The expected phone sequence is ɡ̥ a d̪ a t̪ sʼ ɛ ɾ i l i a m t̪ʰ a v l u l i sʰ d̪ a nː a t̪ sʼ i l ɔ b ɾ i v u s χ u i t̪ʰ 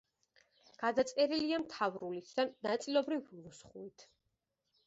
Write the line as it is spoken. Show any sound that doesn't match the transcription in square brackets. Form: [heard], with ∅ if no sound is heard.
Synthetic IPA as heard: ɡ̥ a d̪ a t̪ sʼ ɛ ɾ i l i a m t̪ʰ a v [ɾ] u l i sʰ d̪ a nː a t̪ sʼ i l ɔ b ɾ i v u s χ u i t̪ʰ

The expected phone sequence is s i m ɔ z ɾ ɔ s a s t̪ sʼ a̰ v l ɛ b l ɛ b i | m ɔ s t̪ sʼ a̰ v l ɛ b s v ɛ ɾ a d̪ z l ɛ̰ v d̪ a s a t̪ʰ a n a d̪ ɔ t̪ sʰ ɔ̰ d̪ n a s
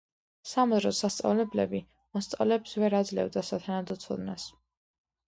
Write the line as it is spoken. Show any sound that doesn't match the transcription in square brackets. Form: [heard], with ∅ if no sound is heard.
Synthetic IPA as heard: s [a] m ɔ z ɾ ɔ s a s t̪ sʼ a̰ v l ɛ b l ɛ b i | m ɔ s t̪ sʼ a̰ v l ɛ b s v ɛ ɾ a d̪ z l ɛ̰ v d̪ a s a t̪ʰ a n a d̪ ɔ t̪ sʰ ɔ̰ d̪ n a s

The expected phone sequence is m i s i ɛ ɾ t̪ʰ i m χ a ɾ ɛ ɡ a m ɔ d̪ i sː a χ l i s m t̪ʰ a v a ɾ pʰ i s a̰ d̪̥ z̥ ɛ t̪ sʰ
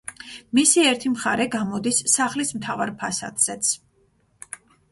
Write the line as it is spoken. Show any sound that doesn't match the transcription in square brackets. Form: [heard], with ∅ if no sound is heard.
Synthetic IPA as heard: m i s i ɛ ɾ t̪ʰ i m χ a ɾ ɛ ɡ a m ɔ d̪ i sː a χ l i s m t̪ʰ a v a ɾ pʰ [a] s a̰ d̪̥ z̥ ɛ t̪ sʰ

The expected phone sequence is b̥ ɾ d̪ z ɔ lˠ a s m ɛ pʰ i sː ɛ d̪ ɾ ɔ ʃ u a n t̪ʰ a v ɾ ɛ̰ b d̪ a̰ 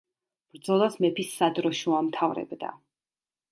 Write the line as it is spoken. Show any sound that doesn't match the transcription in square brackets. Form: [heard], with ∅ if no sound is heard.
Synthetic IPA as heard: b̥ ɾ d̪ z ɔ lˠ a s m ɛ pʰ i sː [a] d̪ ɾ ɔ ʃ u a [m] t̪ʰ a v ɾ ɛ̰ b d̪ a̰

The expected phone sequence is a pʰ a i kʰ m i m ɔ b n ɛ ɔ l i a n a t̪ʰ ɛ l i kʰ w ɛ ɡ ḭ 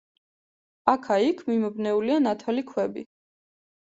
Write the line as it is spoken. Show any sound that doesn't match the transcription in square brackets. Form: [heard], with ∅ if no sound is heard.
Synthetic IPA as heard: a [kʰ] a i kʰ m i m ɔ b n ɛ [u] l i a n a t̪ʰ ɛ l i kʰ w ɛ [b] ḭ

